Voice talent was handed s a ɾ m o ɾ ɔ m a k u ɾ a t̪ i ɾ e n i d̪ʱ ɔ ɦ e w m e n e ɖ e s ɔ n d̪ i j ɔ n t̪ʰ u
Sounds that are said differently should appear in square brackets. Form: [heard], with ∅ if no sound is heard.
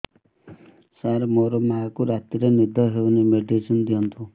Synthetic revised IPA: s a ɾ m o ɾ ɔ m a k u ɾ a t̪ i ɾ e n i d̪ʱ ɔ ɦ e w [n] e [m] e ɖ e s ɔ n d̪ i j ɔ n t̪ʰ u